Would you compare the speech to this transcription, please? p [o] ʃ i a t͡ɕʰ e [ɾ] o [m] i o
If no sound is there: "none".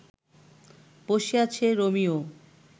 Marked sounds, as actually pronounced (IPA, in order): o, ɾ, m

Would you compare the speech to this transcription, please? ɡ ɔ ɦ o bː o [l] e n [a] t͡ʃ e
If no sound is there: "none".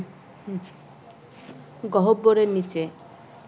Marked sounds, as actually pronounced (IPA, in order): ɾ, i

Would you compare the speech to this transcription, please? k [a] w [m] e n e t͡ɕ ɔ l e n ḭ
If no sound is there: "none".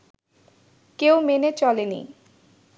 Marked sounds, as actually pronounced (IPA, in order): e, m

